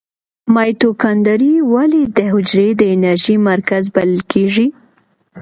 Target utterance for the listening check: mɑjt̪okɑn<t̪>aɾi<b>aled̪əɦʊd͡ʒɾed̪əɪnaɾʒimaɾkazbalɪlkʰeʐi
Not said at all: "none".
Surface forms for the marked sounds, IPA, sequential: d̪, w

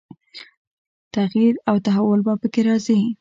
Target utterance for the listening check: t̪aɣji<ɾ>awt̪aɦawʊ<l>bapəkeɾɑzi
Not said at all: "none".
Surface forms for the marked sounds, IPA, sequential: ɾ, l

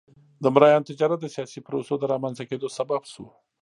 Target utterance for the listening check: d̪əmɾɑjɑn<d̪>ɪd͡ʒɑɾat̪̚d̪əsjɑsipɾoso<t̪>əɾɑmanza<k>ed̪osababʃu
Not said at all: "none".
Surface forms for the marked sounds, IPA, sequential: t̪, d̪, k

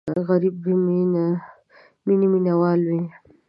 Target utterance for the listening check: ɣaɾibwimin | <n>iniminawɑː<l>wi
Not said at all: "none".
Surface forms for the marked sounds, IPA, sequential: m, l

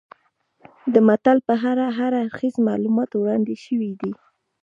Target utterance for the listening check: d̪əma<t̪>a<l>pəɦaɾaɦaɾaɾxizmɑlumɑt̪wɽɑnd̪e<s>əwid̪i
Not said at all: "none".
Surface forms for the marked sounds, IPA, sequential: t̪, l, ʃ

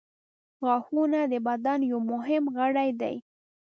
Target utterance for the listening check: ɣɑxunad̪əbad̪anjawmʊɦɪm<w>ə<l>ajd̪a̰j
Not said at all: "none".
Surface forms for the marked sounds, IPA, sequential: ɣ, ɽ

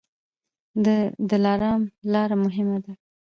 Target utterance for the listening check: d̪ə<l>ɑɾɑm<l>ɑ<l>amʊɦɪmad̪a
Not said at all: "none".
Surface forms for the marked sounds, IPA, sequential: l, l, ɾ

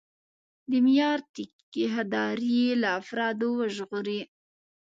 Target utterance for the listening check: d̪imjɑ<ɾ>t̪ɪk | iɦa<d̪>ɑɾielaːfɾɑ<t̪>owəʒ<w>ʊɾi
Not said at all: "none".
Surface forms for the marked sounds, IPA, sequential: ɾ, d̪, d̪, ɣ

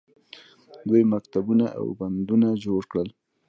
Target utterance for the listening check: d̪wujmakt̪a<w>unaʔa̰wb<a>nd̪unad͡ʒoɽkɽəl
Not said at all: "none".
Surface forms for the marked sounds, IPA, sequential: b, a

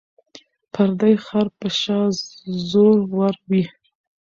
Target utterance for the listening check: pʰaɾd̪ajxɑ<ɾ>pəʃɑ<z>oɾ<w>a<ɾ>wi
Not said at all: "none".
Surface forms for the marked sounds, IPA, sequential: ɾ, z, w, ɾ

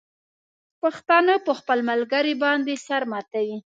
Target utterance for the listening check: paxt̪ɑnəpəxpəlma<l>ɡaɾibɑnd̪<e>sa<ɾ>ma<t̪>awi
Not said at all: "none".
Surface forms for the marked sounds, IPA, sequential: l, e, ɾ, t̪

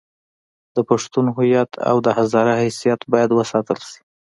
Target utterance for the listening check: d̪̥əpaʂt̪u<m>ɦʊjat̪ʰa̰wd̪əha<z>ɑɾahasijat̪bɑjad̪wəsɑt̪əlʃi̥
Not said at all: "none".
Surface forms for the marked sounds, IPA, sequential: n, z

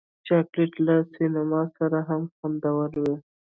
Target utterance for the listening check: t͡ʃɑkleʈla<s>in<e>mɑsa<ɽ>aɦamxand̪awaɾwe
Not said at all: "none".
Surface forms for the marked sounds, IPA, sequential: s, a, ɾ

